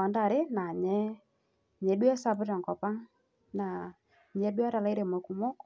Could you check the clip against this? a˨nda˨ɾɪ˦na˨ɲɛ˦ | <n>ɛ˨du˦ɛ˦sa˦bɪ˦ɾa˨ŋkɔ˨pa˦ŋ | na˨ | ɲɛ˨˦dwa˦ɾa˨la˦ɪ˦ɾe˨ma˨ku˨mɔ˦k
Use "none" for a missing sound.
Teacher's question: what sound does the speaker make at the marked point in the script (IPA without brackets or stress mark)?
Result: ɲ